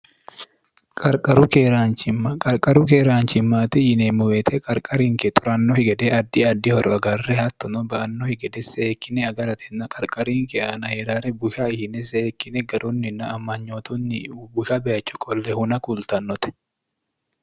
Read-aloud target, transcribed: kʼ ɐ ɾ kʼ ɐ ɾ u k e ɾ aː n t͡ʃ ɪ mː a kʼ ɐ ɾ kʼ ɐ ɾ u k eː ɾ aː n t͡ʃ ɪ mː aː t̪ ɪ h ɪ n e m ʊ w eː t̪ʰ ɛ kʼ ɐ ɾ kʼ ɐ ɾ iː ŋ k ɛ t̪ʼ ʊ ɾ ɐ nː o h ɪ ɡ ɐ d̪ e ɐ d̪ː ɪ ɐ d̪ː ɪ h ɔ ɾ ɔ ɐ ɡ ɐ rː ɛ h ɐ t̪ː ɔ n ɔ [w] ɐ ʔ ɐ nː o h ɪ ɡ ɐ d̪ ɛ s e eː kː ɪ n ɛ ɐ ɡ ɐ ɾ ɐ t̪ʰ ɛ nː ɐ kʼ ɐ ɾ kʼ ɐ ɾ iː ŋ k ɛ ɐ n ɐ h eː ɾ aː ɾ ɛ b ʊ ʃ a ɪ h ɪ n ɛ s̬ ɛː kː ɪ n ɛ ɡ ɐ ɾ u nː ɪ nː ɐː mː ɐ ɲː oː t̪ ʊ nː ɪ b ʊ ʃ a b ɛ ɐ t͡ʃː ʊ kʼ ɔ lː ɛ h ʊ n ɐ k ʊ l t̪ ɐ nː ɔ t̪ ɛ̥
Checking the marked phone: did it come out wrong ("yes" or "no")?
yes